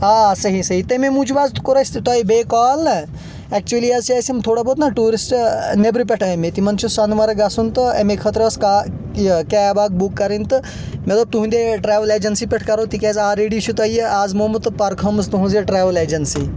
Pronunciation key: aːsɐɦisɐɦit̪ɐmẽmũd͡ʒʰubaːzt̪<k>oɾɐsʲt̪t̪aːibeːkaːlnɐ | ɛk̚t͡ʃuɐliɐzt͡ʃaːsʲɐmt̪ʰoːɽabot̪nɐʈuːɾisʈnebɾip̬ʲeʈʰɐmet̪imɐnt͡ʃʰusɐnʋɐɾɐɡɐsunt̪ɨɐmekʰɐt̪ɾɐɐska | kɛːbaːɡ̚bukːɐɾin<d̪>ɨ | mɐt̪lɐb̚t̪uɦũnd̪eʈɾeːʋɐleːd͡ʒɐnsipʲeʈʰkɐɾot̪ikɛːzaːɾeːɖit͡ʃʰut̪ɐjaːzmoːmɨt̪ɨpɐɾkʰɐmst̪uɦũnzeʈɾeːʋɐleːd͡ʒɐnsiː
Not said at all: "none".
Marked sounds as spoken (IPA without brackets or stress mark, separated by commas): k, t̪